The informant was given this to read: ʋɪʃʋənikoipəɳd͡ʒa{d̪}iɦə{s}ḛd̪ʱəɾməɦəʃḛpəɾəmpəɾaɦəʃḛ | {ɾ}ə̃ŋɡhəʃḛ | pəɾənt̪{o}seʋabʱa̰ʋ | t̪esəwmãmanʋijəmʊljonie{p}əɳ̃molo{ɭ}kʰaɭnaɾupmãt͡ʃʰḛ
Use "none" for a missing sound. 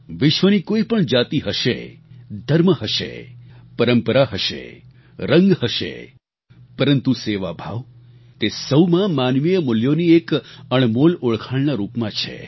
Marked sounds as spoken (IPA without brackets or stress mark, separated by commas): t̪, ʃ, ɾ, u, k, ɭ